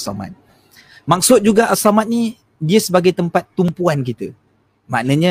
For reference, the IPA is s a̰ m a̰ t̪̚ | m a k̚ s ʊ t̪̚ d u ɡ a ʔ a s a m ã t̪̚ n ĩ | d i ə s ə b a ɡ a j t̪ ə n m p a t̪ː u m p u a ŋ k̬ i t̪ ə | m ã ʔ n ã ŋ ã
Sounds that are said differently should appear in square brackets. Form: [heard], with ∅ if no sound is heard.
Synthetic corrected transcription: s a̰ m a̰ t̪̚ | m a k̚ s ʊ t̪̚ [d͡ʒ] u ɡ a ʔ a s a m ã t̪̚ n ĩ | d i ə s ə b a ɡ a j t̪ ə [∅] m p a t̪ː u m p u a [n] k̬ i t̪ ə | m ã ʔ n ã [ɲ] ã